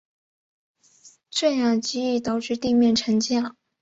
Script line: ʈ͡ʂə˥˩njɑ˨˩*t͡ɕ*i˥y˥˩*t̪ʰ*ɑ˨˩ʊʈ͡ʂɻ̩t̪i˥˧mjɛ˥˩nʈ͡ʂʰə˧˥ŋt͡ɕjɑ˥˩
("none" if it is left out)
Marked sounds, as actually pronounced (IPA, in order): t͡ɕ, t̪

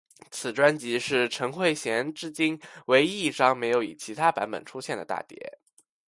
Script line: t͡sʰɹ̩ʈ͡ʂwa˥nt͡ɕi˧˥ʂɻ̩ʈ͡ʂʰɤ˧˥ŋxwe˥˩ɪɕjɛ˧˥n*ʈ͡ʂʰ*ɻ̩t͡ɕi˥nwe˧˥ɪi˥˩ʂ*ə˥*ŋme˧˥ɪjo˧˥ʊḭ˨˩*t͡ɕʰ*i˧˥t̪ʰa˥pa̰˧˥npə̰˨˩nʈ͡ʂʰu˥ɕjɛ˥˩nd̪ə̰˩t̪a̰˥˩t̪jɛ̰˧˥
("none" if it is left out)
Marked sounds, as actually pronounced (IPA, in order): ʈ͡ʂ, ɑ˥, t͡ɕʰ

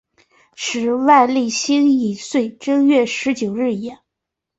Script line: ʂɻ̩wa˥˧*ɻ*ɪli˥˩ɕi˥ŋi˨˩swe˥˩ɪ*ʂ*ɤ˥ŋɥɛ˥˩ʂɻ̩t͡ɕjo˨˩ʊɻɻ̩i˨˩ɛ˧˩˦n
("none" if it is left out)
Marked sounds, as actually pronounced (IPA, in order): none, ʈ͡ʂ

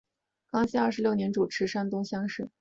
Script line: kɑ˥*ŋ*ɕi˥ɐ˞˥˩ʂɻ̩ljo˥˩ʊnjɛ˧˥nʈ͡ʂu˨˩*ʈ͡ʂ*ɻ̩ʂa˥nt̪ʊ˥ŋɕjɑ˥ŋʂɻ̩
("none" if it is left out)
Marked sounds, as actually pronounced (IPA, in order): ŋ, ʈ͡ʂʰ

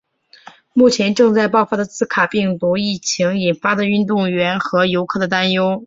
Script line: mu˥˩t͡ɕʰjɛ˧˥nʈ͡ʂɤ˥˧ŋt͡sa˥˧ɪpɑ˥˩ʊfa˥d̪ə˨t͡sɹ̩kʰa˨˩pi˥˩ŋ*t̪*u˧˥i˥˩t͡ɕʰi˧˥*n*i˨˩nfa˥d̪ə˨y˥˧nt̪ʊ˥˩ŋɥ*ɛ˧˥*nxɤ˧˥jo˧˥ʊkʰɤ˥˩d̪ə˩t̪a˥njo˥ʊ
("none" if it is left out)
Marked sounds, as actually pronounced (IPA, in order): t̪, ŋ, ɛ˧˥

